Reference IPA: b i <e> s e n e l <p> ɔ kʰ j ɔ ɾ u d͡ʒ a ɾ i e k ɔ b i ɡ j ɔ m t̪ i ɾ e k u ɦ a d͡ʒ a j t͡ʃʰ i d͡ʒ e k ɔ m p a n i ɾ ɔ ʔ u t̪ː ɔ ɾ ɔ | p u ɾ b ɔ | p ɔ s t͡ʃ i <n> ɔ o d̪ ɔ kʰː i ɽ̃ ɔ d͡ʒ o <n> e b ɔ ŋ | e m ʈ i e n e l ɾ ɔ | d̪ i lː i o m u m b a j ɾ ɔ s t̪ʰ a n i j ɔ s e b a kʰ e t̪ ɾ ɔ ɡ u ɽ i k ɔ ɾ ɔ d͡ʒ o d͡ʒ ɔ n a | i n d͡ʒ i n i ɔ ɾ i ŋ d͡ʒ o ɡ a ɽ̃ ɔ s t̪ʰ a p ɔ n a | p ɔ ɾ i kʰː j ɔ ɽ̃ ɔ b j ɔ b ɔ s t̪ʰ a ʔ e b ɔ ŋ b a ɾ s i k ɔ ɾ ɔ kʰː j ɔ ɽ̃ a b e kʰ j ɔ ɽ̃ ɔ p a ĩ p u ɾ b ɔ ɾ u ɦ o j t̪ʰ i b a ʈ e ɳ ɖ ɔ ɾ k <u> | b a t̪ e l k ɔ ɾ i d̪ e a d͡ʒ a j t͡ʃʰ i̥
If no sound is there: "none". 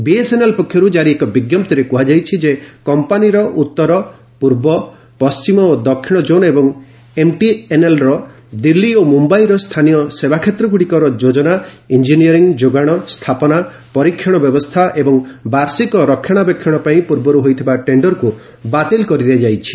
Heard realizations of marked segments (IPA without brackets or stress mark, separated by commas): e, p, m, n, u